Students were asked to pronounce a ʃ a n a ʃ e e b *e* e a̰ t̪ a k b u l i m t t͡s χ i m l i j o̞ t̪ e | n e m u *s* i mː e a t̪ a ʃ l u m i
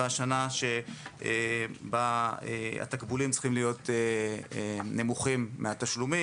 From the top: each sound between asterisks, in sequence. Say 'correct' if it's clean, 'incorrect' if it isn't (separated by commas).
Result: incorrect, incorrect